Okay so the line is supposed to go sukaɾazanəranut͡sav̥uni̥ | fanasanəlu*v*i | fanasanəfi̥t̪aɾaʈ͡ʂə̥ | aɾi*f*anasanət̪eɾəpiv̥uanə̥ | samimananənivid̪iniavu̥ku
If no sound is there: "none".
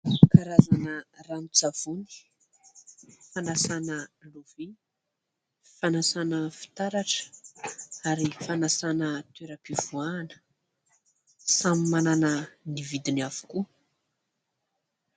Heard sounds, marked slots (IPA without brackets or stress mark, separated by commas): v, f